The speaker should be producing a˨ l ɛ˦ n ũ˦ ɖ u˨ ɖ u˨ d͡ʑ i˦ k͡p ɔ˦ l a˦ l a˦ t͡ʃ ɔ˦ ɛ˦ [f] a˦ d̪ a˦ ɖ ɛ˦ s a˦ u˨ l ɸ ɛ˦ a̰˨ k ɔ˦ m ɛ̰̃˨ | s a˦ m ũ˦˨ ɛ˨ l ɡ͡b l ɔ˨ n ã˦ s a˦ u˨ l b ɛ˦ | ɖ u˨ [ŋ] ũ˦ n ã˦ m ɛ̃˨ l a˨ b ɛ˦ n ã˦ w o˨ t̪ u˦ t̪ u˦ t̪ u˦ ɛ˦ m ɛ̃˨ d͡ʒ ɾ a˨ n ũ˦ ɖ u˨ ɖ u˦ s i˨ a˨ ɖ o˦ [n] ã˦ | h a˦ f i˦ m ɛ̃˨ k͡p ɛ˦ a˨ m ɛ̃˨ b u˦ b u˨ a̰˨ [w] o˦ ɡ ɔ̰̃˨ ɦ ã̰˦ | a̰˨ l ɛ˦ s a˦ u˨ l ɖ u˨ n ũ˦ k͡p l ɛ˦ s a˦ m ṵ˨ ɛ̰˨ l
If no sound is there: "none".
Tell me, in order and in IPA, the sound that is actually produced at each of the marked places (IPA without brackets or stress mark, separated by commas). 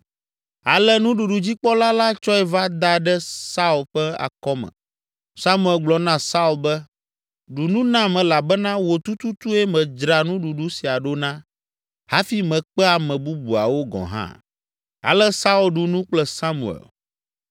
v, n, n, w